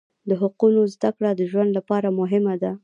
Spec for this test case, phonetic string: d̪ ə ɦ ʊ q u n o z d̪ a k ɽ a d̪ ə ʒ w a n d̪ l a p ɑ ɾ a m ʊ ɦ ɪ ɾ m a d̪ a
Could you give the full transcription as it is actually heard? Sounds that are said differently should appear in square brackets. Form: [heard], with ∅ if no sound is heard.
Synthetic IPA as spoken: d̪ ə ɦ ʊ q u n o z d̪ a k ɽ a d̪ ə ʒ w a n d̪ l a p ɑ ɾ a m ʊ ɦ ɪ [∅] m a d̪ a

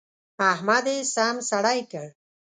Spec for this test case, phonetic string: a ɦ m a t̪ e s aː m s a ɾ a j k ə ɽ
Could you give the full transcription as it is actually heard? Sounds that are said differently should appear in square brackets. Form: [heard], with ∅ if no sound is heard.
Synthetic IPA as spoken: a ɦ m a [d̪] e s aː m s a [ɽ] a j k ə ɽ

